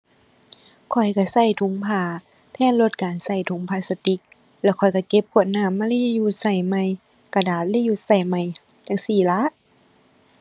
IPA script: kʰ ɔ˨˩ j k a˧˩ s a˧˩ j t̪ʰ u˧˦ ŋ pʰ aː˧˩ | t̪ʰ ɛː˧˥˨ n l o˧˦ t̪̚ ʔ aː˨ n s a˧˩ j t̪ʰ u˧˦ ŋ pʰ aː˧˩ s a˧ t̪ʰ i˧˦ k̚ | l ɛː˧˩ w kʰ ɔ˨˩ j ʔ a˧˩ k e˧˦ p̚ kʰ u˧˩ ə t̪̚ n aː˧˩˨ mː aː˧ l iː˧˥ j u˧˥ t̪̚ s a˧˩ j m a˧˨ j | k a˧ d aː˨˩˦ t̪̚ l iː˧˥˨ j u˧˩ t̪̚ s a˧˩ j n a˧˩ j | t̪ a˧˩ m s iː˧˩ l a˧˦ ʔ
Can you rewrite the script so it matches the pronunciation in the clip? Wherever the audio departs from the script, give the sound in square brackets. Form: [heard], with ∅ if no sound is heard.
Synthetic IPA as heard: kʰ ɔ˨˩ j k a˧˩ s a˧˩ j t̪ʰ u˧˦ ŋ pʰ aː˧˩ | t̪ʰ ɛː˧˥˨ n l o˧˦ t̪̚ [k] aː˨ n s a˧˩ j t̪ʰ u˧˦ ŋ pʰ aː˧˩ s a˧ [t̪] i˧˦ k̚ | l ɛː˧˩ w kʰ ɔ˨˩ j [k] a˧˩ k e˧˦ p̚ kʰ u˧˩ ə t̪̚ n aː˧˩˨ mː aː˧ l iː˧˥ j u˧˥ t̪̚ s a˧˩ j m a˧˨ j | k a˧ d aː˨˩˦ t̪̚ l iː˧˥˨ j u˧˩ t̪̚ s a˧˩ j [m] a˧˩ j | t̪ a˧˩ [ŋ] s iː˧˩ l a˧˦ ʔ